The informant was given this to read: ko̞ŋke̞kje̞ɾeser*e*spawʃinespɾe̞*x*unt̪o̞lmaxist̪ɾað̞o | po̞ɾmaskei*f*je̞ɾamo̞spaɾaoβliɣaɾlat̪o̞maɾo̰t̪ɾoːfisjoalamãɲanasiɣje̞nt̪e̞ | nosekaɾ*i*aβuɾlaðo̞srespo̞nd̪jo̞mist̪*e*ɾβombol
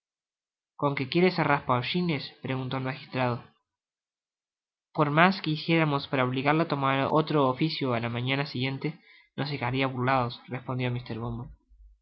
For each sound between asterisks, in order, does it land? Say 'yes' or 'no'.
no, no, no, yes, yes

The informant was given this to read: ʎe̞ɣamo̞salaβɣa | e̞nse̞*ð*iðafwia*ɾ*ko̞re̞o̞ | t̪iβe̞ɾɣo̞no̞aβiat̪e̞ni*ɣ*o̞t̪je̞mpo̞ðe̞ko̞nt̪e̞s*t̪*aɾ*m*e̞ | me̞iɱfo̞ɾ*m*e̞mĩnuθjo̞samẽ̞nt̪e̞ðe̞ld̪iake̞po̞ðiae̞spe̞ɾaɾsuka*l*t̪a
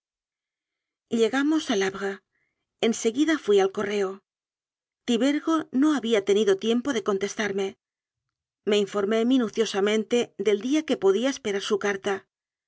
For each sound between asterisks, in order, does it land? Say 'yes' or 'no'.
no, no, no, yes, yes, yes, no

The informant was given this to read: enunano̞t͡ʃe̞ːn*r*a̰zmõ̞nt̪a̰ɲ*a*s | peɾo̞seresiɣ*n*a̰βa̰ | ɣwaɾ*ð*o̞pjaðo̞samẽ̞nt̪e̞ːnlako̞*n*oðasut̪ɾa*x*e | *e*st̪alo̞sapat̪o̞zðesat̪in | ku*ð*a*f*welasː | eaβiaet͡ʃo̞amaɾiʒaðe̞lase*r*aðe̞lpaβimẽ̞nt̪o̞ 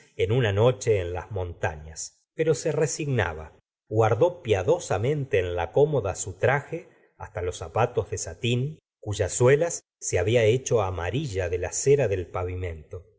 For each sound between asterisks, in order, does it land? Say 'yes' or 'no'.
no, yes, yes, yes, no, yes, no, no, no, no

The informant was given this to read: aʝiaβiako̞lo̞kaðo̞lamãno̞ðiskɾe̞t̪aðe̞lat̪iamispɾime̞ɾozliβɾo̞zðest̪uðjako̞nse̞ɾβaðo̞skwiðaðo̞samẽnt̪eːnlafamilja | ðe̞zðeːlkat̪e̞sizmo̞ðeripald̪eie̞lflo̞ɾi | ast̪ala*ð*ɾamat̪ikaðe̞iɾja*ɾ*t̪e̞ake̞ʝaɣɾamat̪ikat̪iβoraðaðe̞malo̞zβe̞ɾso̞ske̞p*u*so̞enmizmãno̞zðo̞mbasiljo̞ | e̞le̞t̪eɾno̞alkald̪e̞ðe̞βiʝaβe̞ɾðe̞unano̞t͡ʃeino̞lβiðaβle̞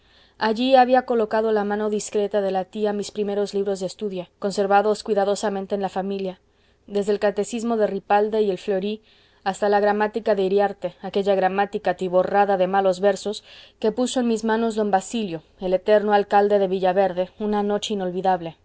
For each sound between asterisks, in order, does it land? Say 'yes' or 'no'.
no, yes, yes

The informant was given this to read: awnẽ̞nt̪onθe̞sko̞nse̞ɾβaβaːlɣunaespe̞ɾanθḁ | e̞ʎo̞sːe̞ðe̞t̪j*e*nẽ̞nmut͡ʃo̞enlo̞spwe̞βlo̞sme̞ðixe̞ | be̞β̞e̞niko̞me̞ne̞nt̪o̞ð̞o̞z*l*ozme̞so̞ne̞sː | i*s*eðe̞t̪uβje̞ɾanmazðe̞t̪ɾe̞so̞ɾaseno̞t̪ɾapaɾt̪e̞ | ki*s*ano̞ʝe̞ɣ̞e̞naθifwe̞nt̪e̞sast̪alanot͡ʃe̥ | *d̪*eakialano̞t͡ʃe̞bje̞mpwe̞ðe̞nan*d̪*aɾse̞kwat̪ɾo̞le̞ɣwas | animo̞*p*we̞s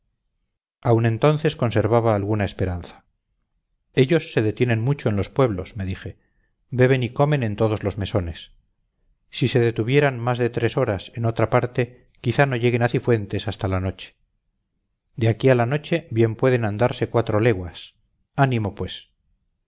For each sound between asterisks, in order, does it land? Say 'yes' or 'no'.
yes, yes, yes, no, yes, yes, yes

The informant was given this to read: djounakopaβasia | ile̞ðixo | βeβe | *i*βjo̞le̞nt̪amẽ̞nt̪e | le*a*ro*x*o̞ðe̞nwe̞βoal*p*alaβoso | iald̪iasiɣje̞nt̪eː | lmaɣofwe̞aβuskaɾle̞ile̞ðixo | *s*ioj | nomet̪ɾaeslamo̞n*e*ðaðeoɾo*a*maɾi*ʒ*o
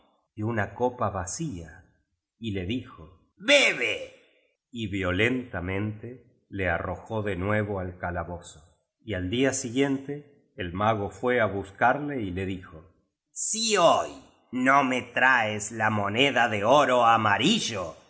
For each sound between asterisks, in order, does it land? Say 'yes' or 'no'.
yes, yes, yes, no, yes, yes, yes, yes

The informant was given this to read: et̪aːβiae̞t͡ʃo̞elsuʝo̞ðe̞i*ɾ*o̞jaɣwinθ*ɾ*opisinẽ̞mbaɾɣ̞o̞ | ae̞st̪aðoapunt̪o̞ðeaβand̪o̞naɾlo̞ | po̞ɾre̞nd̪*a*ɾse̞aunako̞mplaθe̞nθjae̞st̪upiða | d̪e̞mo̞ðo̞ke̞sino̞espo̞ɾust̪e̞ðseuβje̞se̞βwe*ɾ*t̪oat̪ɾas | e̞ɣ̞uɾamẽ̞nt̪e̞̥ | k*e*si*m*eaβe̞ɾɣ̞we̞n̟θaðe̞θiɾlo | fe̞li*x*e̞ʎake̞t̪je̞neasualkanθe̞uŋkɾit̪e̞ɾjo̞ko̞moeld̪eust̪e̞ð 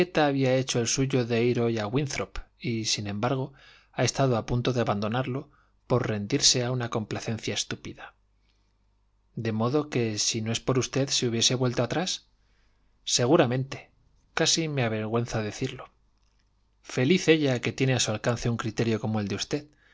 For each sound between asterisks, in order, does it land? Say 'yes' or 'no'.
yes, yes, no, no, no, yes, no

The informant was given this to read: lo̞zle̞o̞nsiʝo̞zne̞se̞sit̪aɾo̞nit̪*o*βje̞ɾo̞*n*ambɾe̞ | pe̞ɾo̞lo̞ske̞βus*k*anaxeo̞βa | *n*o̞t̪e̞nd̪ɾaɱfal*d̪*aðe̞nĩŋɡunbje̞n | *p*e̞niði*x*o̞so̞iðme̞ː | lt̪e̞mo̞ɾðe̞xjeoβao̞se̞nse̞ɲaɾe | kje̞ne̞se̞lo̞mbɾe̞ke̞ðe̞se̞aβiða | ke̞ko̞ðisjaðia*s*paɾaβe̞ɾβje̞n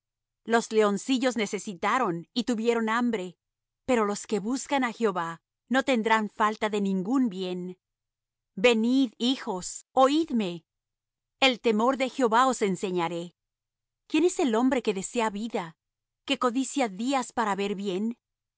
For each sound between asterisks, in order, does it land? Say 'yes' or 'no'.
no, yes, yes, yes, no, no, yes, yes

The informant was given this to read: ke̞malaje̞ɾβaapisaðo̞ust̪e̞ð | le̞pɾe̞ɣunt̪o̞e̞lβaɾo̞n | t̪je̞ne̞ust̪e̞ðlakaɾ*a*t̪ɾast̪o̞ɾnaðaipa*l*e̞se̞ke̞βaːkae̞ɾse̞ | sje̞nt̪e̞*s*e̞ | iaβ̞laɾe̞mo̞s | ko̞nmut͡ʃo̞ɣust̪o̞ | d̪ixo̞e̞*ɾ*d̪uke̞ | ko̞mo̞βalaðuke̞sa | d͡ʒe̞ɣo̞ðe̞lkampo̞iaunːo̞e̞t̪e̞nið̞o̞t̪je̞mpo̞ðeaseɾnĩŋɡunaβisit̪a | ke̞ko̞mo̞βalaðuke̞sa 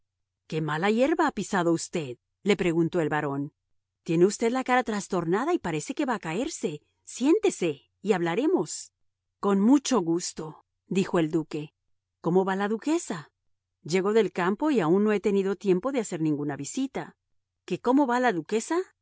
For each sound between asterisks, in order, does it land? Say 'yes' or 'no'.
yes, no, yes, no

